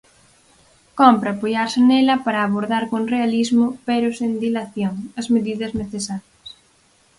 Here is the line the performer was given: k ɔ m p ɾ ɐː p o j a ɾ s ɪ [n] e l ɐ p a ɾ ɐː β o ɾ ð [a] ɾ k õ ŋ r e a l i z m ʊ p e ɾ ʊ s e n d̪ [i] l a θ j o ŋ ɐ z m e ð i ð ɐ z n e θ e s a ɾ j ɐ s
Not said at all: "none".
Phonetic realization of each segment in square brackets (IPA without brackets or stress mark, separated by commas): n, a, i